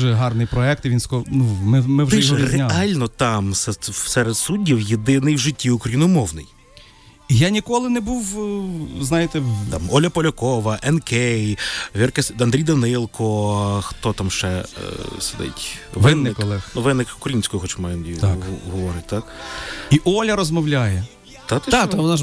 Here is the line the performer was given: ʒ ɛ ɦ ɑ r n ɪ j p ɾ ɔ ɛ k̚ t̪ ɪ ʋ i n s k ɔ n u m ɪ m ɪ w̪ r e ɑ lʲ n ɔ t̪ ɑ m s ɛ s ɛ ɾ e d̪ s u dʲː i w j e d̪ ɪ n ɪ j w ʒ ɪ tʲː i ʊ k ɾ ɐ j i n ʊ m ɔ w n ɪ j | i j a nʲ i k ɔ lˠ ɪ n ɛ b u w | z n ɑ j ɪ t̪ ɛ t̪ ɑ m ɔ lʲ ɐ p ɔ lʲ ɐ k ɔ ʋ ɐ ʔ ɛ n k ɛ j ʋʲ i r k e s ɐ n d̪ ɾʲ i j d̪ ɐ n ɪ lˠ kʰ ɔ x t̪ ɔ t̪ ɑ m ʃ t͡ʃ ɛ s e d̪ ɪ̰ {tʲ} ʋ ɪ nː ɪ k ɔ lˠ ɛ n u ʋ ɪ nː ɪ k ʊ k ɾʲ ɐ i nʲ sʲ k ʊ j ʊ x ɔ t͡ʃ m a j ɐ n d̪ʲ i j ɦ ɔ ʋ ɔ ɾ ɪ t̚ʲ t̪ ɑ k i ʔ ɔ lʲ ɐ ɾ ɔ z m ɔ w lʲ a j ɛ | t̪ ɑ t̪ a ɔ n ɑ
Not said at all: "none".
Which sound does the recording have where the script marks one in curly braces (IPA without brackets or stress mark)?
tʲ